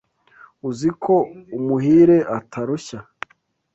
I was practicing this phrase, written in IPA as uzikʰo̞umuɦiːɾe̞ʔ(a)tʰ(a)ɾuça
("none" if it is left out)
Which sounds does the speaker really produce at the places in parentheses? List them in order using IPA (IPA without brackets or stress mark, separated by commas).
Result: a, a